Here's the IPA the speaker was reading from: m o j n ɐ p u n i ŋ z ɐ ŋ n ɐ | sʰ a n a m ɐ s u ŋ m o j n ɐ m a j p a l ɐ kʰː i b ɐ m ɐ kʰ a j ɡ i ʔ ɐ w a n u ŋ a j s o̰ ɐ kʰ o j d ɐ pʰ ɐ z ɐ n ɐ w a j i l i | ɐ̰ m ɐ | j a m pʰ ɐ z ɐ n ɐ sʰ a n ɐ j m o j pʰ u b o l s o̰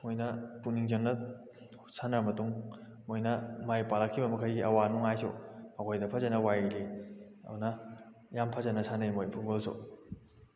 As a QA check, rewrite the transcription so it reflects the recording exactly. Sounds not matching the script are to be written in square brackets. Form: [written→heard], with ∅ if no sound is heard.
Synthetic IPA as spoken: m o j n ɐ p u n i ŋ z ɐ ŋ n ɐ | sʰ a n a m ɐ [s→t] u ŋ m o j n ɐ m a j p a l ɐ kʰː i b ɐ m ɐ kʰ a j ɡ i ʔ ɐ w a n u ŋ a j s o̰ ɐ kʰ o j d ɐ pʰ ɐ z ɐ n ɐ w a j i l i | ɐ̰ [m→n] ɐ | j a m pʰ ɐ z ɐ n ɐ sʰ a n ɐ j m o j pʰ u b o l s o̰